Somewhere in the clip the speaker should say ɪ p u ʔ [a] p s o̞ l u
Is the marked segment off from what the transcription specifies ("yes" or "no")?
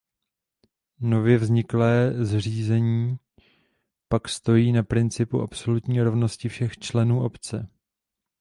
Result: no